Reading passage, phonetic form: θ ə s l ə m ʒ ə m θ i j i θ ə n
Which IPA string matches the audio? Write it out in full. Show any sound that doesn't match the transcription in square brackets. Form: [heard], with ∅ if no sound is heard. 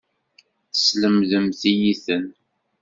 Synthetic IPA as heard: θ ə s l ə m [ð] ə m θ i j i θ ə n